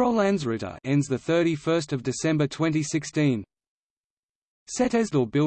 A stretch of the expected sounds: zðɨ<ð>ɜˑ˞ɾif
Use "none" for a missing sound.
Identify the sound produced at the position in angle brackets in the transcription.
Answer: θ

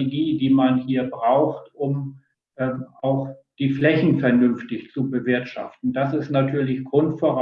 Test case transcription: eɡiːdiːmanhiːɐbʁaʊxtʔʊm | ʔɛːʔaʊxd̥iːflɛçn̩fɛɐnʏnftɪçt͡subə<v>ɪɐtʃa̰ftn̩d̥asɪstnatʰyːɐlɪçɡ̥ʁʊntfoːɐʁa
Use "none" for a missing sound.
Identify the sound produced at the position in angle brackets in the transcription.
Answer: v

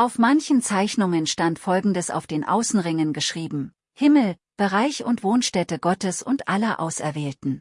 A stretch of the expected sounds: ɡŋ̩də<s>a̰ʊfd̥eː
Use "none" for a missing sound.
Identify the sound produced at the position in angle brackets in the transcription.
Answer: s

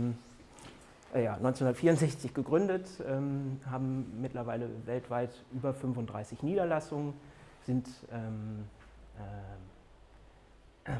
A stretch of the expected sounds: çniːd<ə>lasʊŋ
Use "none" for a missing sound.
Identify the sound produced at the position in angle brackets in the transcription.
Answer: ɐ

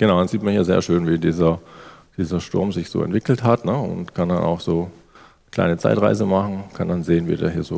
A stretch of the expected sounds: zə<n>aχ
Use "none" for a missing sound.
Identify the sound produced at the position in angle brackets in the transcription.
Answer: m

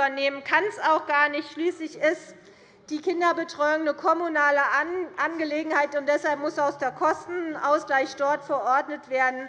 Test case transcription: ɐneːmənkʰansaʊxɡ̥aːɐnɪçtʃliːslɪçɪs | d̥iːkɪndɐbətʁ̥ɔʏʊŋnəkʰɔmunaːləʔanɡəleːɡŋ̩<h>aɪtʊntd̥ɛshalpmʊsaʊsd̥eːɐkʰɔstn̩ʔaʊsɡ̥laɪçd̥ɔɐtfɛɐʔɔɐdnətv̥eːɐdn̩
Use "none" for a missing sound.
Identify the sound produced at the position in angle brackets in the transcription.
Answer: h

